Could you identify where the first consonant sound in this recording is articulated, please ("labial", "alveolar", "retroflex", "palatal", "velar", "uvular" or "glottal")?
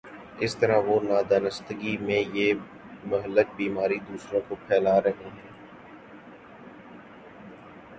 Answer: alveolar